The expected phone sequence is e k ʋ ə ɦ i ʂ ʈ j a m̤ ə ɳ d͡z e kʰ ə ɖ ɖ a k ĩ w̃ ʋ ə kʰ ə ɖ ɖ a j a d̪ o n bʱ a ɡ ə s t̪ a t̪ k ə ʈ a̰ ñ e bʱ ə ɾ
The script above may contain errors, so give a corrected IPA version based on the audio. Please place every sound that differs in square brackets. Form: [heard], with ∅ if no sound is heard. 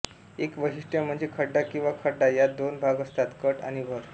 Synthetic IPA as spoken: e k ʋ ə ɦ i ʂ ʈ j a m̤ ə ɳ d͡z e kʰ ə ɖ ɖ a k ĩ w̃ ʋ [a] kʰ ə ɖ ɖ a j a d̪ o n bʱ a ɡ ə s t̪ a t̪ k ə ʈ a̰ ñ [i] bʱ ə ɾ